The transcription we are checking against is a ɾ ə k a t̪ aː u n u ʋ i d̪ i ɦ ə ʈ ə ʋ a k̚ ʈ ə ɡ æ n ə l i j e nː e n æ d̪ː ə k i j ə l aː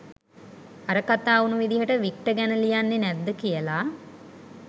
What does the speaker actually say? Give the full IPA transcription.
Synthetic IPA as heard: a ɾ ə k a t̪ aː u n u ʋ i d̪ i ɦ ə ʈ ə ʋ i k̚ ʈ ə ɡ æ n ə l i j a nː e n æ d̪ː ə k i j ə l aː